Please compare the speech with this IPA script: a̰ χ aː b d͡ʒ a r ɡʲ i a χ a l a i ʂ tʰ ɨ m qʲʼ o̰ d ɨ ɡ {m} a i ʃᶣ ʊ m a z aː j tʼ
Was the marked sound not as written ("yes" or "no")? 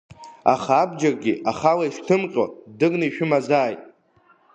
yes